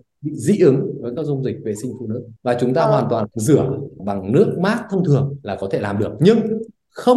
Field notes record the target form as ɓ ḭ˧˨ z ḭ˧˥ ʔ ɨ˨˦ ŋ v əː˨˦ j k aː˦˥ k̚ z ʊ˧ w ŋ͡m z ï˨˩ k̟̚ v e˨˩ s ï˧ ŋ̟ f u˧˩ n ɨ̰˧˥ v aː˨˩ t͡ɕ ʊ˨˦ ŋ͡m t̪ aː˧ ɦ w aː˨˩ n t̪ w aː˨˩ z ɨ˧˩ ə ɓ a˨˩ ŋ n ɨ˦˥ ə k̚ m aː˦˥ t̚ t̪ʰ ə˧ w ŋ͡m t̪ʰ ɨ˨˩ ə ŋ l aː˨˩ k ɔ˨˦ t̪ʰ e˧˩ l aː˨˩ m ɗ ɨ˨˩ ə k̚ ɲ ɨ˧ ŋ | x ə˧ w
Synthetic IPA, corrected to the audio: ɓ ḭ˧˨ z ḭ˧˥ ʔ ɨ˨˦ ŋ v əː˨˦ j k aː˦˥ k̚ z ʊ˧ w ŋ͡m z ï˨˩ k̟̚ v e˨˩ s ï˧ ŋ̟ f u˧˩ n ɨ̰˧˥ v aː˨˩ t͡ɕ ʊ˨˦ ŋ͡m t̪ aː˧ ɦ w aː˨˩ n t̪ w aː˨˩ z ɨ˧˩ ə ɓ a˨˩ ŋ n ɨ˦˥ ə k̚ m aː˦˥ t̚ t̪ʰ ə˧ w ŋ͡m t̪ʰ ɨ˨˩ ə ŋ l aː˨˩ k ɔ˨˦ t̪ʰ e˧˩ l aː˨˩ m ɗ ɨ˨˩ ə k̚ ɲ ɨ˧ ŋ | x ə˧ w